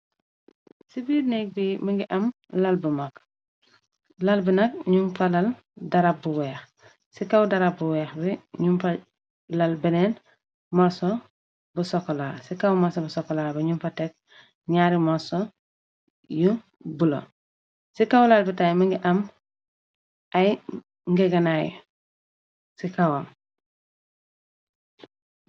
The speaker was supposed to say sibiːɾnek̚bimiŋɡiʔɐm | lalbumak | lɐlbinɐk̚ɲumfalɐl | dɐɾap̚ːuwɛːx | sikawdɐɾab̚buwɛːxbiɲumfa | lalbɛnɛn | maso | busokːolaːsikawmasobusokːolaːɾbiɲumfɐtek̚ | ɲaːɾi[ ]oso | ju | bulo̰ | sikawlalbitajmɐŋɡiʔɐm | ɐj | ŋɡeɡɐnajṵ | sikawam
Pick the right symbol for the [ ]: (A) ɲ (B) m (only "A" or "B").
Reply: B